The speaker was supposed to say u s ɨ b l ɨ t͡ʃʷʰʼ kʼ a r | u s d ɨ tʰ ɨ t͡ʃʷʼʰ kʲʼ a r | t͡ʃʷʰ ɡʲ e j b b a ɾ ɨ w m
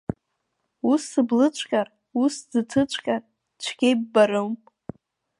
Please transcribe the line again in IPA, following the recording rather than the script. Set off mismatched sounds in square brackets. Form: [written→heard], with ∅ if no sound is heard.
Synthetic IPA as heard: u s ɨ b l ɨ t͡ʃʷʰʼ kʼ a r | u s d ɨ tʰ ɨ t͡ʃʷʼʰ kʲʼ a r | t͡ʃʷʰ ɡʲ e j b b a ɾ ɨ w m

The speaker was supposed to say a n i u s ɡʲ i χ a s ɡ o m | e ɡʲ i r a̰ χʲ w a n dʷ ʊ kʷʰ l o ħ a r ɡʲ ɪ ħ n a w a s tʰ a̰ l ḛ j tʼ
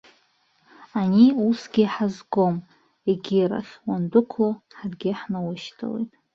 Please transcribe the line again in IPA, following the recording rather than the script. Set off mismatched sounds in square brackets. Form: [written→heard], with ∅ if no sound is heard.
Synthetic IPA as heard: a n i u s ɡʲ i [χ→ħ] a [s→z] ɡ o m | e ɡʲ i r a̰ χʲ w a n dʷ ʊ kʷʰ l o ħ a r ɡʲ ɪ ħ n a w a [s→ʃ] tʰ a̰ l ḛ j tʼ

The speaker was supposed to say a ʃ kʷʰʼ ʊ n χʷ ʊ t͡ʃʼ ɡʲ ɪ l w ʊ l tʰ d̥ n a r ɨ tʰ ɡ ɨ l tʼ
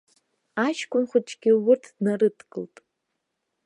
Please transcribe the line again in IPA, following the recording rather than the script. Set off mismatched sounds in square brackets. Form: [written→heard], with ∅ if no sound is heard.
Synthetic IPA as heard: a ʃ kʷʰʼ ʊ n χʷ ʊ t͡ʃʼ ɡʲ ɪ [l→∅] w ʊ [l→r] tʰ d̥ n a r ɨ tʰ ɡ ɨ l tʼ

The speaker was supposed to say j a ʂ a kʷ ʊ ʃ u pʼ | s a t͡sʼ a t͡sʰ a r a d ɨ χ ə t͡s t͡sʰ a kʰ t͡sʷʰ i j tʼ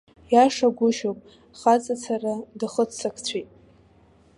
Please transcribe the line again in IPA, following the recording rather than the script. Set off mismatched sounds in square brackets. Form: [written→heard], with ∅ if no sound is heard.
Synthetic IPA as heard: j a ʂ a [kʷ→ɡʷ] ʊ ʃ [u→o] pʼ | [s→χ] a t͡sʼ a t͡sʰ a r a d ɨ χ ə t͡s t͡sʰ a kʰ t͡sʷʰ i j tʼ

